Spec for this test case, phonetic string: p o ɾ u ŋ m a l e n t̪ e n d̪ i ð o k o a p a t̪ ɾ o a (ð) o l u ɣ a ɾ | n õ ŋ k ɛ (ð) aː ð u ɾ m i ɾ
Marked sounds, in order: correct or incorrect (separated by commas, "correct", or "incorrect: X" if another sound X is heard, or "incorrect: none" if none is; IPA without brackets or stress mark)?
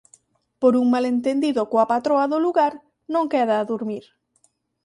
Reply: correct, correct